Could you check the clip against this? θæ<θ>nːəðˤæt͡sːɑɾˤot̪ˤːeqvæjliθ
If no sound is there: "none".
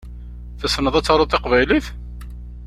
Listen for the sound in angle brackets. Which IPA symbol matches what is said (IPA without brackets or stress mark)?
s